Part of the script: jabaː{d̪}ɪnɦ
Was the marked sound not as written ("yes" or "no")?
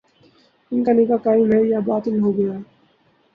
yes